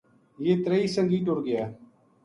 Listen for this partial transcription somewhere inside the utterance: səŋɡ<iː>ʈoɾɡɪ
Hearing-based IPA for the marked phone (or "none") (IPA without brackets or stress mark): iː